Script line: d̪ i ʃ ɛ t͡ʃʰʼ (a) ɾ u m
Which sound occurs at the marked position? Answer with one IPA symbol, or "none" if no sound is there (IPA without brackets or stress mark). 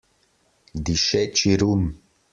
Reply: i